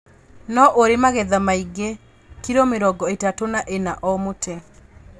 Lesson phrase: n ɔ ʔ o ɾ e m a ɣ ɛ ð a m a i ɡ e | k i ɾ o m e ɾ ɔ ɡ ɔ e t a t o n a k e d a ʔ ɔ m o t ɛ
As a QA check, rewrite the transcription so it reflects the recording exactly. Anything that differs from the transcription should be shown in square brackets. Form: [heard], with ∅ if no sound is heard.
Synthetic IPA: n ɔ ʔ o ɾ e m a ɣ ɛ ð a m a i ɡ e | k i ɾ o m e ɾ ɔ ɡ ɔ e t a t o n a [ʔ] e [n] a ʔ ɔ m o t ɛ